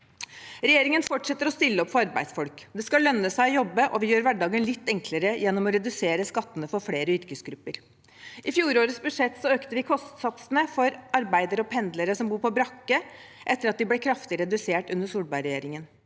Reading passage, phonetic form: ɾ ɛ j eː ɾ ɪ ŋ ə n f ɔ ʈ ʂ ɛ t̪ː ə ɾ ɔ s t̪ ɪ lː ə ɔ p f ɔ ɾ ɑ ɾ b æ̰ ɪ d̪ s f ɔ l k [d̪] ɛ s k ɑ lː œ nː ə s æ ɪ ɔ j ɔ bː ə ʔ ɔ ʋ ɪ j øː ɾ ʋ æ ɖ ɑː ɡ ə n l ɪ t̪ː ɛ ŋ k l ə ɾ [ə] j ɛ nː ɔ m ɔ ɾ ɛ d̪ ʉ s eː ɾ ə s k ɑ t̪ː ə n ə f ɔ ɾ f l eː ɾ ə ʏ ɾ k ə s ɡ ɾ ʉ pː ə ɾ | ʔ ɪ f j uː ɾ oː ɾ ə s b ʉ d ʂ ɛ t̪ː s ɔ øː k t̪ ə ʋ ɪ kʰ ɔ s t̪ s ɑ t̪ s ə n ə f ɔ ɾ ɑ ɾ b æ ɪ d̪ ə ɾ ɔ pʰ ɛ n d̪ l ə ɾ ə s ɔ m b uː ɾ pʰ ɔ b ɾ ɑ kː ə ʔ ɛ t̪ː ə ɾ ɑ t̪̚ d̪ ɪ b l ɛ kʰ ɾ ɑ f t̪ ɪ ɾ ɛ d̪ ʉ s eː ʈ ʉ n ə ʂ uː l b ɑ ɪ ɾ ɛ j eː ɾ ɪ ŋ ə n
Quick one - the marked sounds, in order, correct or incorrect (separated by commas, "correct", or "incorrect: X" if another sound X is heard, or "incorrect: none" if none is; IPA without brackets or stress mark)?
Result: correct, correct